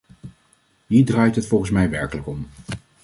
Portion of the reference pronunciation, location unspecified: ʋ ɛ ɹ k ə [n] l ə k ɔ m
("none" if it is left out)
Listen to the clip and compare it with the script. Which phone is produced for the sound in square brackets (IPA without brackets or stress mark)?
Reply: none